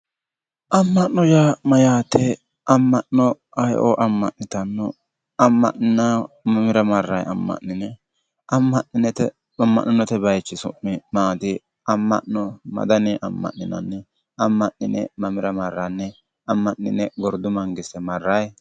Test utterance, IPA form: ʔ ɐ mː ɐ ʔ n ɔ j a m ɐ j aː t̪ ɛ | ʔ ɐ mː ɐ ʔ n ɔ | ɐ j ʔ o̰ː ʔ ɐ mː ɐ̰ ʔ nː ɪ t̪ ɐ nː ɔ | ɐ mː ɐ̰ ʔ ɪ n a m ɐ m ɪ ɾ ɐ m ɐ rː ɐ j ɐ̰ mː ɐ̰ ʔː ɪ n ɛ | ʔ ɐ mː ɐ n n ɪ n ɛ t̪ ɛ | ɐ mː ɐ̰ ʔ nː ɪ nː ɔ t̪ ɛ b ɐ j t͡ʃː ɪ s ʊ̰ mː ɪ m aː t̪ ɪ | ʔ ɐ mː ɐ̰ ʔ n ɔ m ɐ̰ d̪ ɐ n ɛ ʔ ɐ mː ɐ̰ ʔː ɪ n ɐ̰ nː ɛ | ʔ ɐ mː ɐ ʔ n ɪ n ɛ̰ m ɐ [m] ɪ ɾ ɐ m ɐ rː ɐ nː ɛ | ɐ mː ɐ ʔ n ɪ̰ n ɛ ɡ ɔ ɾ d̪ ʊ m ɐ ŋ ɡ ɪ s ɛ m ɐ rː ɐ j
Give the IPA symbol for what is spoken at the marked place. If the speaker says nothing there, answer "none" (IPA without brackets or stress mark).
m